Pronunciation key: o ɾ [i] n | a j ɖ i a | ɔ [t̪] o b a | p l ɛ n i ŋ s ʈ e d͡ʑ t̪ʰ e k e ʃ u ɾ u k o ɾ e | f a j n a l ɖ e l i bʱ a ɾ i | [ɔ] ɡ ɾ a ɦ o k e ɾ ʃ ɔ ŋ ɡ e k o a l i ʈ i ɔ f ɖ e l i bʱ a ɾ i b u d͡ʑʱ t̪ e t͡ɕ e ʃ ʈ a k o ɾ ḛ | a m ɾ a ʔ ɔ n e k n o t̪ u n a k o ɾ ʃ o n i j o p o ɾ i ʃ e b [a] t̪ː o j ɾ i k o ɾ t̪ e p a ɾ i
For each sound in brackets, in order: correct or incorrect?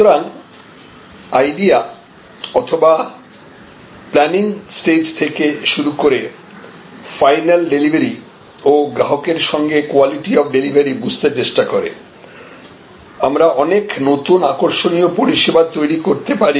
incorrect, incorrect, incorrect, correct

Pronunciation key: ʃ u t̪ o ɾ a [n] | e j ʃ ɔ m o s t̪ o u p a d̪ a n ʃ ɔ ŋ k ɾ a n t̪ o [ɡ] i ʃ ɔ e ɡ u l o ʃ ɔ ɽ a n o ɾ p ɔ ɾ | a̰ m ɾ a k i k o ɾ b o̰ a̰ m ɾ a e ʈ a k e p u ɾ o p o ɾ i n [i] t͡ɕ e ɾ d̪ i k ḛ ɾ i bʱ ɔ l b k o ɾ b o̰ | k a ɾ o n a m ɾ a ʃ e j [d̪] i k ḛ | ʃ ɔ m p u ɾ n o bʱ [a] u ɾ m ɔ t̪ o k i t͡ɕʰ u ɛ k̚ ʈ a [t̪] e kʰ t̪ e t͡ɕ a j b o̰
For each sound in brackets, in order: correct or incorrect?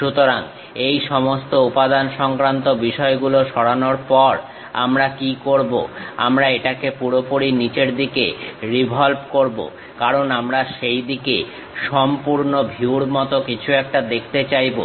incorrect, incorrect, correct, correct, incorrect, incorrect

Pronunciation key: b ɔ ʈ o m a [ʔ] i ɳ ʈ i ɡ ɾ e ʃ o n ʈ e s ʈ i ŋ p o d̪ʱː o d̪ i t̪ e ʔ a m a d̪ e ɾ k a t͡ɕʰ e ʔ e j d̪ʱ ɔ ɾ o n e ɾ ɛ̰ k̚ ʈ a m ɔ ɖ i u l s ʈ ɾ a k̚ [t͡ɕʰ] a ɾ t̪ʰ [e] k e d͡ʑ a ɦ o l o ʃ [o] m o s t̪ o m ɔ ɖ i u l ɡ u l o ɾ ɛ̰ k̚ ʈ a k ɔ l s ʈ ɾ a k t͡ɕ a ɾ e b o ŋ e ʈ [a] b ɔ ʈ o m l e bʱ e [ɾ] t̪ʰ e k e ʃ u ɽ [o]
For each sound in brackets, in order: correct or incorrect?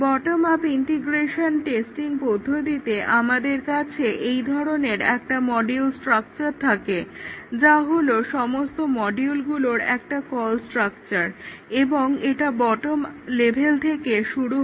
incorrect, incorrect, incorrect, incorrect, correct, incorrect, incorrect

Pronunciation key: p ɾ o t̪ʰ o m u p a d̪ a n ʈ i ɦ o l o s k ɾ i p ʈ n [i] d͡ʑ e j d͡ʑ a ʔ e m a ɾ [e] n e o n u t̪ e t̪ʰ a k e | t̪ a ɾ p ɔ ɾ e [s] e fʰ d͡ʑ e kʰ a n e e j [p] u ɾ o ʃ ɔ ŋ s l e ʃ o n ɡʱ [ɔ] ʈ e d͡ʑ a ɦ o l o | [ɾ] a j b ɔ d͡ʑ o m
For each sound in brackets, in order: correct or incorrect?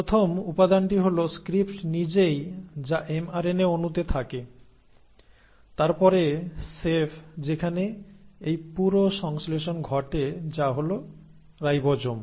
correct, correct, correct, correct, correct, correct

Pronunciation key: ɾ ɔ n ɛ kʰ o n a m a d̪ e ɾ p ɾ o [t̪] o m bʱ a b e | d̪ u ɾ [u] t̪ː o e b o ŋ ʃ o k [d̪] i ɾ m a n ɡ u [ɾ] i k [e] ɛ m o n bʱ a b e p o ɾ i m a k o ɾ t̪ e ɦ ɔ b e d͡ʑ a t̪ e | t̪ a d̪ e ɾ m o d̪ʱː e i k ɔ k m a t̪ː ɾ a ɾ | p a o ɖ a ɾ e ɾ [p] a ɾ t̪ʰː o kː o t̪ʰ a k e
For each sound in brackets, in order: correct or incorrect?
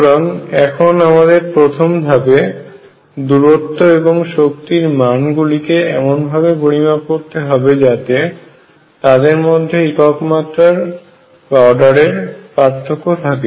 incorrect, incorrect, incorrect, incorrect, correct, correct

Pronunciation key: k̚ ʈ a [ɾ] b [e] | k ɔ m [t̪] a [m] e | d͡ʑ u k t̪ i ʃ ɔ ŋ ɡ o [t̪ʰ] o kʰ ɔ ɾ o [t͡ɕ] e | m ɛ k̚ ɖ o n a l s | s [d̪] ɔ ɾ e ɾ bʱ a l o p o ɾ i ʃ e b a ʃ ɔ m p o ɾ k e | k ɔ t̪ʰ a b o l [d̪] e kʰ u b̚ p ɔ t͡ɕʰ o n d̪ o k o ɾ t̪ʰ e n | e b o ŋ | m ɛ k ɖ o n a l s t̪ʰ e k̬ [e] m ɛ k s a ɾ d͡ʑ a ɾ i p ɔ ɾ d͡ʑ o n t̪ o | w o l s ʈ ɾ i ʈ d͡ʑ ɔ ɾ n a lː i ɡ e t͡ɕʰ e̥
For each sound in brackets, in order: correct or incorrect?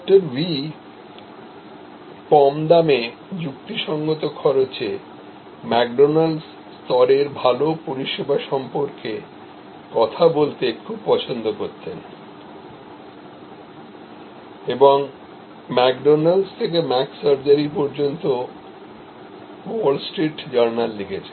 correct, incorrect, incorrect, correct, incorrect, correct, incorrect, incorrect, correct

